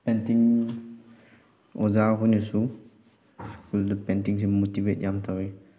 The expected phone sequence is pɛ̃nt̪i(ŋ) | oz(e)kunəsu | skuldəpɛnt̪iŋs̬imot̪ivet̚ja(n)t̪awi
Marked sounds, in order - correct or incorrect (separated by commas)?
correct, incorrect, incorrect